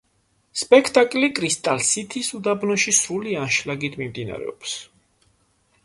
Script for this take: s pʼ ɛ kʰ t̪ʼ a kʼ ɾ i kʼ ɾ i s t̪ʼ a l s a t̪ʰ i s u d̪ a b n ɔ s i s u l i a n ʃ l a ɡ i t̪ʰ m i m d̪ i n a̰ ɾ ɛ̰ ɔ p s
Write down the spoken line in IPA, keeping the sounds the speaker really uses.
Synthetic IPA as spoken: s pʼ ɛ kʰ t̪ʼ a kʼ l i kʼ ɾ i s t̪ʼ a l s i t̪ʰ i s u d̪ a b n ɔ ʃ i s u l i a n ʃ l a ɡ i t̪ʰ m i m d̪ i n a̰ ɾ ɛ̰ ɔ p s